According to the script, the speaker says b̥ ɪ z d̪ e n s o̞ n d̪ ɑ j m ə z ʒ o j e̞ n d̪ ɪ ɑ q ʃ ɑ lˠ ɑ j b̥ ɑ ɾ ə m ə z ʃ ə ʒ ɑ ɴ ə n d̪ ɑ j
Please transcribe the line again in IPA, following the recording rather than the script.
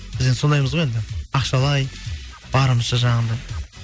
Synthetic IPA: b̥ ɪ z d̪ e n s o̞ n d̪ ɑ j m ə z ʁ o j e̞ n d̪ ɪ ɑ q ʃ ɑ lˠ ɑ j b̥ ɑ ɾ ə m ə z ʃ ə ʒ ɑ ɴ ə n d̪ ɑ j